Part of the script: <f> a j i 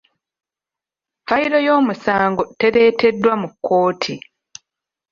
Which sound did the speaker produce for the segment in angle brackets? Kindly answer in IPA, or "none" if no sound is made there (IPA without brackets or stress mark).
f